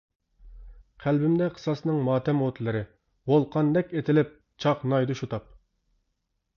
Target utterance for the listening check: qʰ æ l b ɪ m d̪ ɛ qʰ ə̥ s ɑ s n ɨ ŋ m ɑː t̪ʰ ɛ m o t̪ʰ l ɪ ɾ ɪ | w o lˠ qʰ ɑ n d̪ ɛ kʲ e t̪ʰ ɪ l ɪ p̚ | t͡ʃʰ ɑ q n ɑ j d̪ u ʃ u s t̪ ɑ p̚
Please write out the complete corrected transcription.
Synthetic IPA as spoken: qʰ æ l b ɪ m d̪ ɛ qʰ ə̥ s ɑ s n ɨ ŋ m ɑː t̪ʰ ɛ m o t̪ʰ l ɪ ɾ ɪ | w o lˠ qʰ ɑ n d̪ ɛ kʲ e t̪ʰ ɪ l ɪ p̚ | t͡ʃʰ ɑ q n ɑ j d̪ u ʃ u t̪ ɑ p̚

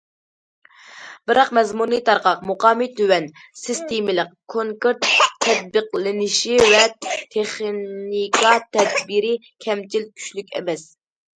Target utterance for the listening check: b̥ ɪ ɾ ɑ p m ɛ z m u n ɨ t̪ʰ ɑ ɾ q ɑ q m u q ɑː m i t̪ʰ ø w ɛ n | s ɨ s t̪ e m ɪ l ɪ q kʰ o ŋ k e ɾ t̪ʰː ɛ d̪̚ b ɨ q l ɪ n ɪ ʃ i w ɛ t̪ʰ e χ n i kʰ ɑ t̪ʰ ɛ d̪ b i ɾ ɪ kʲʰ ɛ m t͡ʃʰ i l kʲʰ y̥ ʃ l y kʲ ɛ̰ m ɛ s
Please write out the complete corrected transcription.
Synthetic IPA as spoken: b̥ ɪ ɾ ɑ q m ɛ z m u n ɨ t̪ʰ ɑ ɾ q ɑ q m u q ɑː m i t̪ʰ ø w ɛ n | s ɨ s t̪ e m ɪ l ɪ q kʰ o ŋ k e ɾ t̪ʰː ɛ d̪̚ b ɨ q l ɪ n ɪ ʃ i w ɛ t̪ʰ e χ n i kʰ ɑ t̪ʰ ɛ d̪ b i ɾ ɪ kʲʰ ɛ m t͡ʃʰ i l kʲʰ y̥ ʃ l y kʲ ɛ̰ m ɛ s

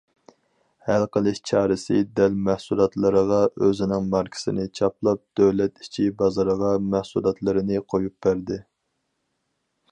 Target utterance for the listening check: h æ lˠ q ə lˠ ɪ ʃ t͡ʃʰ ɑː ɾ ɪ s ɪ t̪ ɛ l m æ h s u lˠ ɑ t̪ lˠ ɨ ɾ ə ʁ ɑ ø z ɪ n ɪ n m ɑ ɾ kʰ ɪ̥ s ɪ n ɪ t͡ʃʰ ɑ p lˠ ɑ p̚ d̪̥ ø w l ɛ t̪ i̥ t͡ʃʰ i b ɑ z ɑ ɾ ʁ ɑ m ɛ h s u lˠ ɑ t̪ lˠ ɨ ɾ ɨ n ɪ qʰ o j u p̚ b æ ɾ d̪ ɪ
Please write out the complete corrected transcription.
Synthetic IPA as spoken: h æ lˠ q ə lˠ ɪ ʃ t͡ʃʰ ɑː ɾ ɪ s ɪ d̪ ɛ l m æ h s u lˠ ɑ t̪ lˠ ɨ ɾ ə ʁ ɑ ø z ɪ n ɪ ŋ m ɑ ɾ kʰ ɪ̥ s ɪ n ɪ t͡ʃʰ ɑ p lˠ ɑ p̚ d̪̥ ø w l ɛ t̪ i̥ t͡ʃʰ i b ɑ z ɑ ɾ ʁ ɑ m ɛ h s u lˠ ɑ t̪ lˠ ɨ ɾ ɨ n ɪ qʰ o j u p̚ b æ ɾ d̪ ɪ

